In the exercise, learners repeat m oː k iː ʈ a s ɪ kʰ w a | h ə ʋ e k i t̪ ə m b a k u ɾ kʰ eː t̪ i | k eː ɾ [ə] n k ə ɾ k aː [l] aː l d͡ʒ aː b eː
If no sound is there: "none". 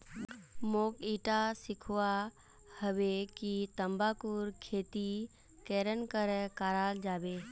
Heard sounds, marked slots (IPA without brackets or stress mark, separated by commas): ə, ɾ